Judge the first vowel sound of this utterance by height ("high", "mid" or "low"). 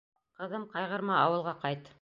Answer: mid